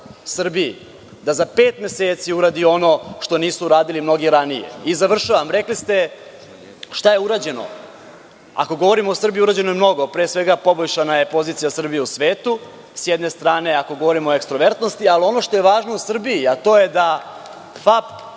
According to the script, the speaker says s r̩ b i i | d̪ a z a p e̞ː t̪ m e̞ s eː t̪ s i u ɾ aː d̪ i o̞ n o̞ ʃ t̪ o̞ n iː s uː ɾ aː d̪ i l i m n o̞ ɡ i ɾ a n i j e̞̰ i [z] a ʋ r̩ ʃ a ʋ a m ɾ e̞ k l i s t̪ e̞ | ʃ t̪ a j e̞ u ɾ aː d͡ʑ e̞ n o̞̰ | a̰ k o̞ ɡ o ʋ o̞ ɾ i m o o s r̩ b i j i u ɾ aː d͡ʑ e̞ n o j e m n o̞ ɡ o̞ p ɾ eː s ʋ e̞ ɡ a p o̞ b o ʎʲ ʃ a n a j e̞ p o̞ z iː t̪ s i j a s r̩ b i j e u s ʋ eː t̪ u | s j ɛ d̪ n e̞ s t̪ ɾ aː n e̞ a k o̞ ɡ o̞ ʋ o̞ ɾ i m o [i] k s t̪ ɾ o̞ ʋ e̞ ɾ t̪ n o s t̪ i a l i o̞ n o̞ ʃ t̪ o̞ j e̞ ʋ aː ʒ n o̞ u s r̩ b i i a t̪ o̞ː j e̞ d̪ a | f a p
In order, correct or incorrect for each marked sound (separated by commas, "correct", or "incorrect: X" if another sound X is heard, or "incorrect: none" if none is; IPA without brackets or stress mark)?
correct, incorrect: e